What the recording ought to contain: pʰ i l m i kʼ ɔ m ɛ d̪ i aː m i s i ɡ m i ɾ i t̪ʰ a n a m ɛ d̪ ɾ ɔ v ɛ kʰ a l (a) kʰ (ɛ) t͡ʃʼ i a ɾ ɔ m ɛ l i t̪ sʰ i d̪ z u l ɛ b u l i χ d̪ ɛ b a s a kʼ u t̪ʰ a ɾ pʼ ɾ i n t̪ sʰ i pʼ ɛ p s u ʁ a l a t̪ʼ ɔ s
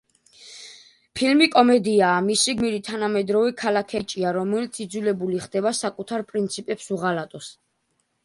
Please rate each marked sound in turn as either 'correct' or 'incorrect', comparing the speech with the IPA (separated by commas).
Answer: correct, correct